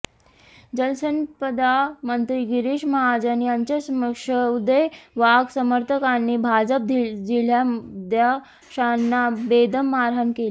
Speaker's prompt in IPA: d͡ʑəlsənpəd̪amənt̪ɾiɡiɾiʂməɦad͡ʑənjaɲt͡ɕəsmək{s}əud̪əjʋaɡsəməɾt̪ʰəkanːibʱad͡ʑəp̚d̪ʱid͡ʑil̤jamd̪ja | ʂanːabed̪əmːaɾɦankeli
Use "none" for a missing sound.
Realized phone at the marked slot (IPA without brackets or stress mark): ʂ